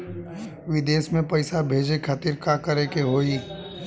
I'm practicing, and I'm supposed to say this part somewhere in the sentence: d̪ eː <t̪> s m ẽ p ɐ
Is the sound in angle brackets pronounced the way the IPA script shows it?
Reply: no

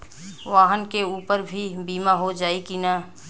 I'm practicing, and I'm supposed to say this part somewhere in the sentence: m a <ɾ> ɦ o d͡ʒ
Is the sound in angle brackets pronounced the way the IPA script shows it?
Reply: no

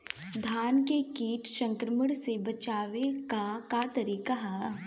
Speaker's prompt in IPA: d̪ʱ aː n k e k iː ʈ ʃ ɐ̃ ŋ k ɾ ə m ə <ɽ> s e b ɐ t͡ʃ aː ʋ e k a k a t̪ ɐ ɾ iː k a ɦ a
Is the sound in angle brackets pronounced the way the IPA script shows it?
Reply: yes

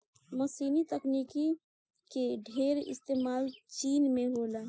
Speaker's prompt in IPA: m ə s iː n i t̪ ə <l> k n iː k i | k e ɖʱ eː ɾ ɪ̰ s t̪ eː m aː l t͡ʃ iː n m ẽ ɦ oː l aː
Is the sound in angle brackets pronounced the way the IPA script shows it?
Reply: no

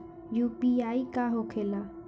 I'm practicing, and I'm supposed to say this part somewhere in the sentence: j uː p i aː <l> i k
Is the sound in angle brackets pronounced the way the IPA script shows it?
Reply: no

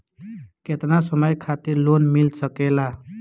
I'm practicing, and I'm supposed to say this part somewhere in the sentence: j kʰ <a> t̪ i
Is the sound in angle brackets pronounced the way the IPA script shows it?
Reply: yes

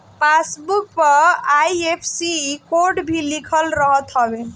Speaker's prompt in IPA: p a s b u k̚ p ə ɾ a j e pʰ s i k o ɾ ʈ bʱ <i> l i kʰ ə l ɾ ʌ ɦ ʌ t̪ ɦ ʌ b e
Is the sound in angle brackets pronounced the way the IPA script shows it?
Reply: yes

